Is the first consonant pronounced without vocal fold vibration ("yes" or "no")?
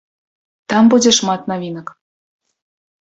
yes